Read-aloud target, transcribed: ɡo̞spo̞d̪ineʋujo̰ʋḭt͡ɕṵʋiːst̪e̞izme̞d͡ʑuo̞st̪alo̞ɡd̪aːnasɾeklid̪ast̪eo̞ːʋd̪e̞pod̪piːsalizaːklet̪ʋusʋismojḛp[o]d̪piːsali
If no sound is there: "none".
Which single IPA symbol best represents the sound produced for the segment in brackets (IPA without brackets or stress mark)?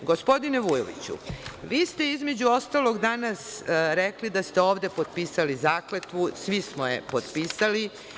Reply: o